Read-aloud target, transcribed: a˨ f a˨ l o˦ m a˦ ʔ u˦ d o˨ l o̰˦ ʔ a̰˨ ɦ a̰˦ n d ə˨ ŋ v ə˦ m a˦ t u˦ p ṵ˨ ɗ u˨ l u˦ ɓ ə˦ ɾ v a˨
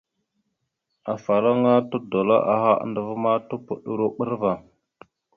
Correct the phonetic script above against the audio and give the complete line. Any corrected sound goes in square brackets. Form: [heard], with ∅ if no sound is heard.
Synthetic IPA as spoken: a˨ f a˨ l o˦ [ŋ] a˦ [t] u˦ d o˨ l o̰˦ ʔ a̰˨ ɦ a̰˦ n d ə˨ [∅] v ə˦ m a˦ t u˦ p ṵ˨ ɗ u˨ [ɾ] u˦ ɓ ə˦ ɾ v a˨